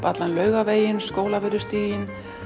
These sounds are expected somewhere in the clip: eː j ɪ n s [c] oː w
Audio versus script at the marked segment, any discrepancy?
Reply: yes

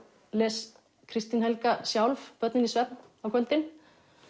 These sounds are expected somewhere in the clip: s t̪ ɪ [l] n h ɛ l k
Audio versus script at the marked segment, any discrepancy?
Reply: yes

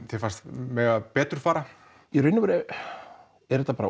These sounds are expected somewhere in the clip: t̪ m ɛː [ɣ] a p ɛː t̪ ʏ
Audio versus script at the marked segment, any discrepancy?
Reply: no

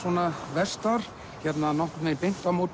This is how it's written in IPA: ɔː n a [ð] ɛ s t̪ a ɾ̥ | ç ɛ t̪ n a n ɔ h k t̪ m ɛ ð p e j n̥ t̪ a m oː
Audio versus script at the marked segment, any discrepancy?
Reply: yes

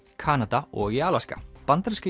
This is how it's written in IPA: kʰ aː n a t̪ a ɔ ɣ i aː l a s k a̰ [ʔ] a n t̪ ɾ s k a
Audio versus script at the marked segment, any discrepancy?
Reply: yes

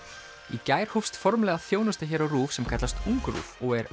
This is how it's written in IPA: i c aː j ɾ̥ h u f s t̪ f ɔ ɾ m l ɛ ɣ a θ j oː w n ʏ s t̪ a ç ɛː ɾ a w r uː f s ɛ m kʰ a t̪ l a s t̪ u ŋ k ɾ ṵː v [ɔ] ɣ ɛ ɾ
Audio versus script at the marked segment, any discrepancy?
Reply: no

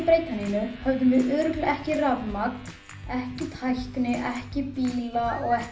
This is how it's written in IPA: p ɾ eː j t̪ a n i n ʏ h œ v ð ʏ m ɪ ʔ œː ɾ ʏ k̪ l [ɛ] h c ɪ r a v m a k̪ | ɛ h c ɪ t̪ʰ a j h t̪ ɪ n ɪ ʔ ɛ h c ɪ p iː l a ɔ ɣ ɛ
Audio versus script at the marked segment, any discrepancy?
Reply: no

